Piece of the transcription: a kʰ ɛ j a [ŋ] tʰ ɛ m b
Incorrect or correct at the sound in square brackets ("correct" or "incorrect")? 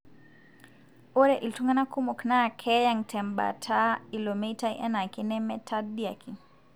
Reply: correct